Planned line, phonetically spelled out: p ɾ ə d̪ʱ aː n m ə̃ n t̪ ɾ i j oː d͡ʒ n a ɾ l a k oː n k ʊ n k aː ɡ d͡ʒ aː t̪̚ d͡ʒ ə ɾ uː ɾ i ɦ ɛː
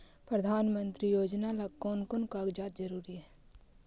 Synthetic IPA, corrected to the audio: p ɾ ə d̪ʱ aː n m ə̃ n t̪ ɾ i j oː d͡ʒ n a l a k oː n k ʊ n k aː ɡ d͡ʒ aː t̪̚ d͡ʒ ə ɾ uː ɾ i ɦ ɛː